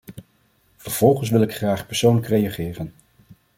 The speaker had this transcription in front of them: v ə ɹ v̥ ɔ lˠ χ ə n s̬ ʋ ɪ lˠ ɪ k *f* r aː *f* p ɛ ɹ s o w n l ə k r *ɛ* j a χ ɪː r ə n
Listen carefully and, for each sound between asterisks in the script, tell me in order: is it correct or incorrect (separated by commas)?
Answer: incorrect, incorrect, incorrect